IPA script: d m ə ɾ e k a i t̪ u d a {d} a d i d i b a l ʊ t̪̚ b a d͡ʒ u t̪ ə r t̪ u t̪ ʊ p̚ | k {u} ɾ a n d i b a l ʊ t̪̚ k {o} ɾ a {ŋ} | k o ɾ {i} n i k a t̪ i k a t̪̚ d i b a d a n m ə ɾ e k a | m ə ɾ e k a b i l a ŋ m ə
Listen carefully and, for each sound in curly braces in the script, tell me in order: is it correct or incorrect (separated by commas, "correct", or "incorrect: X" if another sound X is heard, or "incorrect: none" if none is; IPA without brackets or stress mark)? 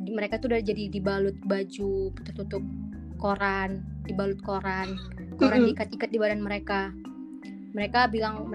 incorrect: d͡ʒ, incorrect: o, correct, incorrect: n, incorrect: a